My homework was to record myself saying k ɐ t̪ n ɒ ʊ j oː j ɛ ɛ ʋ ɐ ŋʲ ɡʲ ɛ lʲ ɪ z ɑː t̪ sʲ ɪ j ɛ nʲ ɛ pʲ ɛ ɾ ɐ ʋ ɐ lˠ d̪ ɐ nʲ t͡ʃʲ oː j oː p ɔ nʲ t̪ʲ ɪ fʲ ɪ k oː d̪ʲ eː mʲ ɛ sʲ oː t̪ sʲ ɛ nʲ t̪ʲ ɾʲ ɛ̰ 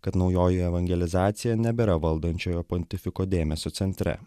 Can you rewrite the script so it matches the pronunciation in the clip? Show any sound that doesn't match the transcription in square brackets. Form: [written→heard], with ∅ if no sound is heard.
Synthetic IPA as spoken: k ɐ t̪ n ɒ ʊ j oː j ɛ ɛ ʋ ɐ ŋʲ ɡʲ ɛ lʲ ɪ z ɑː t̪ sʲ ɪ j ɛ nʲ ɛ [pʲ→bʲ] ɛ ɾ ɐ ʋ ɐ lˠ d̪ ɐ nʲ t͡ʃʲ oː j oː p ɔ nʲ t̪ʲ ɪ fʲ ɪ k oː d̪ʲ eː mʲ ɛ sʲ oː t̪ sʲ ɛ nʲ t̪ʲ ɾʲ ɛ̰